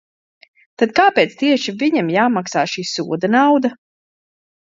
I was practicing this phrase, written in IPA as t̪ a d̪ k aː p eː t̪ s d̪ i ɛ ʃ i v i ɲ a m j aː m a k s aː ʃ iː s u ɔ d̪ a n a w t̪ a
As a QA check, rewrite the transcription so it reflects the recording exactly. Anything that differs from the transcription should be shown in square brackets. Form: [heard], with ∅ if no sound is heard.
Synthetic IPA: t̪ a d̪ k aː p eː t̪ s [t̪] i ɛ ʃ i v i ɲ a m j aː m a k s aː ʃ iː s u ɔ d̪ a n a w [d̪] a